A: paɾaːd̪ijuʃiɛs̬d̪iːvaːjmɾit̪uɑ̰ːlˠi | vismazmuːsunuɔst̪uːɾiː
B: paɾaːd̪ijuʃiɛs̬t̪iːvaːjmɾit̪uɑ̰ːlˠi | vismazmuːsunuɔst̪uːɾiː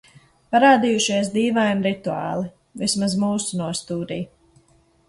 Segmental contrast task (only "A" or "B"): A